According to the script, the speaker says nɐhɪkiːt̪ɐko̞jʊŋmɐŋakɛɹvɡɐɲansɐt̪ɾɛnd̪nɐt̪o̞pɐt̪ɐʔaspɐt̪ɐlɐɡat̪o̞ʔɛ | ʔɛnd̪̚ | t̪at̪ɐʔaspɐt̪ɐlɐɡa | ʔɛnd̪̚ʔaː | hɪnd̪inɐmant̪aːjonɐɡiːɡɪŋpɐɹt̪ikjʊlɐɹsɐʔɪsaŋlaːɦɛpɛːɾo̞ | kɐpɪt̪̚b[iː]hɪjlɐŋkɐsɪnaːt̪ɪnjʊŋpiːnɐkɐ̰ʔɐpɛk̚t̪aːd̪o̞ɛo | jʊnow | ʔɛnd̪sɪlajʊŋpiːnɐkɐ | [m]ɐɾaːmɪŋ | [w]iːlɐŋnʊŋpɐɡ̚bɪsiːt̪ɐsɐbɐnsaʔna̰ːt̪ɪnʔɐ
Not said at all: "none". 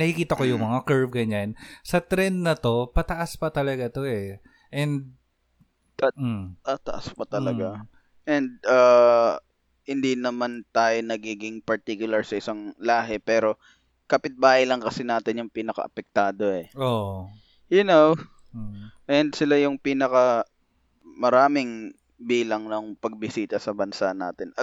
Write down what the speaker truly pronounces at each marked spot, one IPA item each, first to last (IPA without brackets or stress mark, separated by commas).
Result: aː, m, b